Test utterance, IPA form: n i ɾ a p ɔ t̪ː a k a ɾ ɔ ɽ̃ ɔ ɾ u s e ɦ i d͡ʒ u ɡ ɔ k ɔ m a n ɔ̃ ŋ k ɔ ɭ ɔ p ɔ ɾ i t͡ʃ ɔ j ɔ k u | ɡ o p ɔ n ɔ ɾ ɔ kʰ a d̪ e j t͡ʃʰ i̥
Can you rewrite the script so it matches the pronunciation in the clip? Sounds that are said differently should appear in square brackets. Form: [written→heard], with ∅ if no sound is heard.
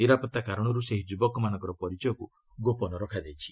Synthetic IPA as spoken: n i ɾ a p ɔ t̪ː a k a ɾ ɔ ɽ̃ ɔ ɾ u s e ɦ i d͡ʒ u [ɡ→b] ɔ k ɔ m a n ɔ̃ ŋ k ɔ [ɭ→ɾ] ɔ p ɔ ɾ i t͡ʃ ɔ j ɔ k u | ɡ o p ɔ n ɔ ɾ ɔ kʰ a d̪ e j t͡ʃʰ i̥